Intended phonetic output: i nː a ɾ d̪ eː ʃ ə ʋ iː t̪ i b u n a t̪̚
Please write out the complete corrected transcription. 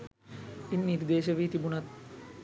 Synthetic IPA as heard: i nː i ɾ d̪ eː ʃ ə ʋ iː t̪ i b u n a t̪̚